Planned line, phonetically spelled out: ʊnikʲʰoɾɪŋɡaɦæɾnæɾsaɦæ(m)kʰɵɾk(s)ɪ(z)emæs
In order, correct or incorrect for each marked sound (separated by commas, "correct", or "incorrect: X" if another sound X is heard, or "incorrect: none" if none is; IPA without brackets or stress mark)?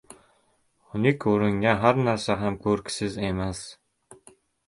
correct, correct, correct